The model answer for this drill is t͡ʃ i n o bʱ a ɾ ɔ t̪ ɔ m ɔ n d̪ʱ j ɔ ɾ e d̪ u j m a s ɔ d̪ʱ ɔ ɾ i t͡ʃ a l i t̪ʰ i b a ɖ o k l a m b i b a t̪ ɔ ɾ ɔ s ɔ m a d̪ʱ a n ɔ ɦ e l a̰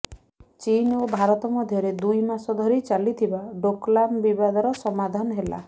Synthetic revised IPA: t͡ʃ i n o bʱ a ɾ ɔ t̪ ɔ m ɔ d̪ʱ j ɔ ɾ e d̪ u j m a s ɔ d̪ʱ ɔ ɾ i t͡ʃ a l i t̪ʰ i b a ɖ o k l a m b i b a d̪ ɔ ɾ ɔ s ɔ m a d̪ʱ a n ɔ ɦ e l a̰